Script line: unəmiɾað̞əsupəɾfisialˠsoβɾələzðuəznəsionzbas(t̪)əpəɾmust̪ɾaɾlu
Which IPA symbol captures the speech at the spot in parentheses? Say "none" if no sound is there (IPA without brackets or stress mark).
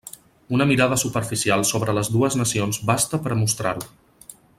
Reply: t̪